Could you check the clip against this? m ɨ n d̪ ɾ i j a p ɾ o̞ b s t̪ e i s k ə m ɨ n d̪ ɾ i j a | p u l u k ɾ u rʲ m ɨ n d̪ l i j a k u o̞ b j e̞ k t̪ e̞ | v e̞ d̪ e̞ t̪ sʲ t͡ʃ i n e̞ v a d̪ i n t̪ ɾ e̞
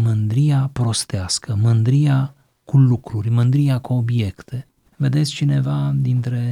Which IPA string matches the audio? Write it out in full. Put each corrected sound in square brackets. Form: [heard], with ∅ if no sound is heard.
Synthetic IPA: m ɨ n d̪ ɾ i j a p ɾ o̞ [∅] s t̪ e [a] s k ə m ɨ n d̪ ɾ i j a | [k] u l u k ɾ u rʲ m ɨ n d̪ [ɾ] i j a k u o̞ b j e̞ k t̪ e̞ | v e̞ d̪ e̞ t̪ sʲ t͡ʃ i n e̞ v a d̪ i n t̪ ɾ e̞